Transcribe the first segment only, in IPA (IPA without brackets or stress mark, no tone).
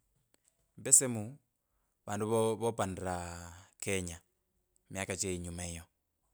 m